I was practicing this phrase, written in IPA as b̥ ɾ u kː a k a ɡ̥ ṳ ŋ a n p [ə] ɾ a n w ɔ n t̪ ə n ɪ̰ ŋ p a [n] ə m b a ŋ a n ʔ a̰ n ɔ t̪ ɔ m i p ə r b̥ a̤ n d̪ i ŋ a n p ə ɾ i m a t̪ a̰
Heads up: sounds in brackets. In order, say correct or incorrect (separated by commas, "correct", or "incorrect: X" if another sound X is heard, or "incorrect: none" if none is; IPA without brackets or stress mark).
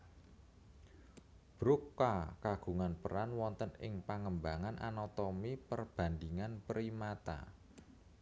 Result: correct, incorrect: ŋ